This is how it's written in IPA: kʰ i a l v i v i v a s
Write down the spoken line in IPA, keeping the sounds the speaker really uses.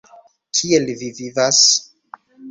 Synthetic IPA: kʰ i e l v i v i v a s